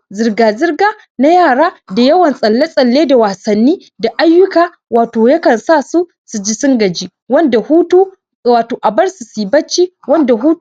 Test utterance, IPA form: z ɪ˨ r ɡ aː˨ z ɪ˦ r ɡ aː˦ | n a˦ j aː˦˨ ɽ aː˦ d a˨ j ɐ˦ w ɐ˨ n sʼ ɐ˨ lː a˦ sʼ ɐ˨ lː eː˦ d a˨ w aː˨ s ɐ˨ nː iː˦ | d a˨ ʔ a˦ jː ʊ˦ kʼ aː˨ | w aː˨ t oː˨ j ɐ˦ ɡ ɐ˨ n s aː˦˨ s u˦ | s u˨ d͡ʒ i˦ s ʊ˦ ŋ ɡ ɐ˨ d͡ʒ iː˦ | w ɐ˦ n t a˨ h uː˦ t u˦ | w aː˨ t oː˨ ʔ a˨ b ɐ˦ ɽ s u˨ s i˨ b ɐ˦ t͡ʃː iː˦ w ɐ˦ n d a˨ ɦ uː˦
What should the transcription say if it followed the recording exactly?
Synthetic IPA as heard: z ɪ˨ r ɡ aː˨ z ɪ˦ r ɡ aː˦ | n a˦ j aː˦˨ ɽ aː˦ d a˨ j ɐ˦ w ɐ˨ n sʼ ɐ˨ lː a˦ sʼ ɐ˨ lː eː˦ d a˨ w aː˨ s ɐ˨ nː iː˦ | d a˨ ʔ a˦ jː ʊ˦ k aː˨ | w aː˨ t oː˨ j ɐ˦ k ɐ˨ n s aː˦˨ s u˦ | s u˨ d͡ʒ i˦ s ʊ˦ ŋ ɡ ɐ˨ d͡ʒ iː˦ | w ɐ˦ n d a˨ h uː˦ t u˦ | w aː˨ t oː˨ ʔ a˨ b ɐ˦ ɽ s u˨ s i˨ b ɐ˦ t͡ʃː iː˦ w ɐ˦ n d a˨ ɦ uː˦